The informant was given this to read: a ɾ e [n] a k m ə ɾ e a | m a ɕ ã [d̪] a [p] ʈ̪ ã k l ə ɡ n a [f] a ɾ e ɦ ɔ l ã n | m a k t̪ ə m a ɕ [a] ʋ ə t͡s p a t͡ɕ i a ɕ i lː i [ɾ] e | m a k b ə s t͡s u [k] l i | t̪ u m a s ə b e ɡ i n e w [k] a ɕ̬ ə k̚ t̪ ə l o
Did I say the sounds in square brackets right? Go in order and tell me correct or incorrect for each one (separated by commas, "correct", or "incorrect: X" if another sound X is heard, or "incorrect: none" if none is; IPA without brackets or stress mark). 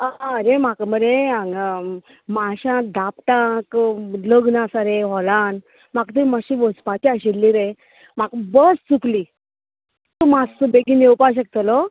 incorrect: m, correct, correct, incorrect: s, incorrect: i, correct, correct, incorrect: p